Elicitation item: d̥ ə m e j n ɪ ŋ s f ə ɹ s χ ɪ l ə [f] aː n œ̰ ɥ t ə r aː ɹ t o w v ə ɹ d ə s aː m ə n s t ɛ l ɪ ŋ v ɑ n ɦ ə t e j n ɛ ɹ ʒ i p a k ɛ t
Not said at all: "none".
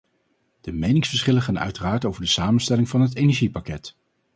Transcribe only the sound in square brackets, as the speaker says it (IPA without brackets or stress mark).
χ